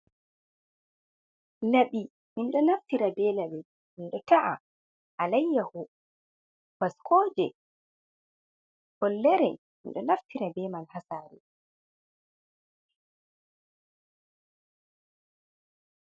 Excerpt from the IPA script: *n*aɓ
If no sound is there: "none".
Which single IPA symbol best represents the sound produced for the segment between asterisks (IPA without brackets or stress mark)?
n